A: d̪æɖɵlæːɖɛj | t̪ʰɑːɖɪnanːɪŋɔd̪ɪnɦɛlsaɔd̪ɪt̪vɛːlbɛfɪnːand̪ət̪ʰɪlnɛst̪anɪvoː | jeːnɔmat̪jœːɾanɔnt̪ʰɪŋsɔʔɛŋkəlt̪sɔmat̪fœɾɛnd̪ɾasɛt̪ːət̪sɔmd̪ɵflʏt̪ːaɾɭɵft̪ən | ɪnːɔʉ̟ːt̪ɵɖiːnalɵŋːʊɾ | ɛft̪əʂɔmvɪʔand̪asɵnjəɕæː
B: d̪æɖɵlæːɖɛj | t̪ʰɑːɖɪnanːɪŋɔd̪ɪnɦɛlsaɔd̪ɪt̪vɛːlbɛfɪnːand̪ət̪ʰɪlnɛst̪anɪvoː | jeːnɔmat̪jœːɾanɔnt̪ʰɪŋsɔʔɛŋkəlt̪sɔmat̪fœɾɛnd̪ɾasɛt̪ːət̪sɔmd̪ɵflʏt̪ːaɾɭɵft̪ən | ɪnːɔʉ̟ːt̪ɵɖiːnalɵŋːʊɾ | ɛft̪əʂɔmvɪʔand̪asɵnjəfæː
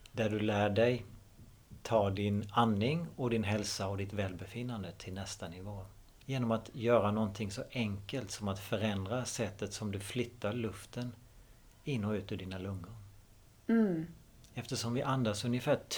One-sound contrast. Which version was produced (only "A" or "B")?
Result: B